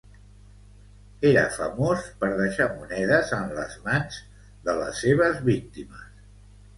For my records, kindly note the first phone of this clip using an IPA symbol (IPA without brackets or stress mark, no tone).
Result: e